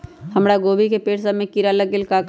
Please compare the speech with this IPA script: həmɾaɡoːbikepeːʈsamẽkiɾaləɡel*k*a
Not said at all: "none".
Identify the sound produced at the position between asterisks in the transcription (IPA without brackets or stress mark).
k